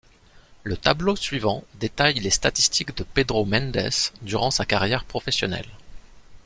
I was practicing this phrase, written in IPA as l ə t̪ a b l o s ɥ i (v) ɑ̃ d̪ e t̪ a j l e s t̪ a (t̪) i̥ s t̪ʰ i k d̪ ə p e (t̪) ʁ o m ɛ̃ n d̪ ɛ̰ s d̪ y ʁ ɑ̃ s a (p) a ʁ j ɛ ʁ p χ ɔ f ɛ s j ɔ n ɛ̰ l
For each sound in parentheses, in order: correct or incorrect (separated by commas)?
correct, correct, incorrect, incorrect